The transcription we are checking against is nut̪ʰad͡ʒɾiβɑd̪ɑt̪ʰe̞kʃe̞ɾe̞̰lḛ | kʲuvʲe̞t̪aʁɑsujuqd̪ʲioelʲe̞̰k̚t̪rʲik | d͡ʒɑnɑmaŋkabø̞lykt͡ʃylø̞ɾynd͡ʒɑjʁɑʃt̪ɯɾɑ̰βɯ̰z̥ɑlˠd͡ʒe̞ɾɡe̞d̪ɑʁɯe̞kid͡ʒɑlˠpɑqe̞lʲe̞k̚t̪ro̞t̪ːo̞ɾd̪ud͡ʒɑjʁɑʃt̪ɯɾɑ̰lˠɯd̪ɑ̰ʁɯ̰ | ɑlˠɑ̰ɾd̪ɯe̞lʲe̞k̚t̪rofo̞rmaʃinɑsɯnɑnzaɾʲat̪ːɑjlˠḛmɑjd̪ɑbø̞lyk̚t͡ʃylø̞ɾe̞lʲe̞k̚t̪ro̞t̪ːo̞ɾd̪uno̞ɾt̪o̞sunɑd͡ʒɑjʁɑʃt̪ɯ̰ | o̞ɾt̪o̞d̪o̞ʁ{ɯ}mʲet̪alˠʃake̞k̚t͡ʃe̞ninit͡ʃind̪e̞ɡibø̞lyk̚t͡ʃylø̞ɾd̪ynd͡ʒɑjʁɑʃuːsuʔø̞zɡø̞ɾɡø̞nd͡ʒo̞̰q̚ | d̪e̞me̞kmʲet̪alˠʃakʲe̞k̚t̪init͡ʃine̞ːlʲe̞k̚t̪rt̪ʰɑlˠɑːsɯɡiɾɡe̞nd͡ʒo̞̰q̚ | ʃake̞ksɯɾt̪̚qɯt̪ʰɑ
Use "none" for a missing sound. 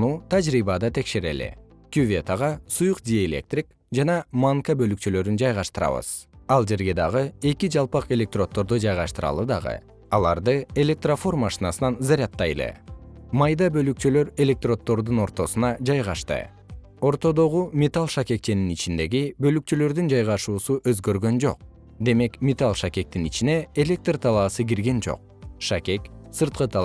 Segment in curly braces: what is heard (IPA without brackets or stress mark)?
u